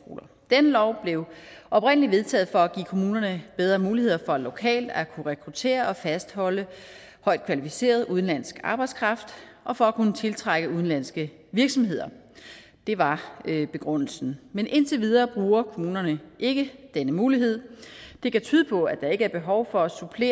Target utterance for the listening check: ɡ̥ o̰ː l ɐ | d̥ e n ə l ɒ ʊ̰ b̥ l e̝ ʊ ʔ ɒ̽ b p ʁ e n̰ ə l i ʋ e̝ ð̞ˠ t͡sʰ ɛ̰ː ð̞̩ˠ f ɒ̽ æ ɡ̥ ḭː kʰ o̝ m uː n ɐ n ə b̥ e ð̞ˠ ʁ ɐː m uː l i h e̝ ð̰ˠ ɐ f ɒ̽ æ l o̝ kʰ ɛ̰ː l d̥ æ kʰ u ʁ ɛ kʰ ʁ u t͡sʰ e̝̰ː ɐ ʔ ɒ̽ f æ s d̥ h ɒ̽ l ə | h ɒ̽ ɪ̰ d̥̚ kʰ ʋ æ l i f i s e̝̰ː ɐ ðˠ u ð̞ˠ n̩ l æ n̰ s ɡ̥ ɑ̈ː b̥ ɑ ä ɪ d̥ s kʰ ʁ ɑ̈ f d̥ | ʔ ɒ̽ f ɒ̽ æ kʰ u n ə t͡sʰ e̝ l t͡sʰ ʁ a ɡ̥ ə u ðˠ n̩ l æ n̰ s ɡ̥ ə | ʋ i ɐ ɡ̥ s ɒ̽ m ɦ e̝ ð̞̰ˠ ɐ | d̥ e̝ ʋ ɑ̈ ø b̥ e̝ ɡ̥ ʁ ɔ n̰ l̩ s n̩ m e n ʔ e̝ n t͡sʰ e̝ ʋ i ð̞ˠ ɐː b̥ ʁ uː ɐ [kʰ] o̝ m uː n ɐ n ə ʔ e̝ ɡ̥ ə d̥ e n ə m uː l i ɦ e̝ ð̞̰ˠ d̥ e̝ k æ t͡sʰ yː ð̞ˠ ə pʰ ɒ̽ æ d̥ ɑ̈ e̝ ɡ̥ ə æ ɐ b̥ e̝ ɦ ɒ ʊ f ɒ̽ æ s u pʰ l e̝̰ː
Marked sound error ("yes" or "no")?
no